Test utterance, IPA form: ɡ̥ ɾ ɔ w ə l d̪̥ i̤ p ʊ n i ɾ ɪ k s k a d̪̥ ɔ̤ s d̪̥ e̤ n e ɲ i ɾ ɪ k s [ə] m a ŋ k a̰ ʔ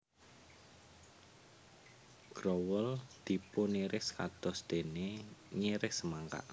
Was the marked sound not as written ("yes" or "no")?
no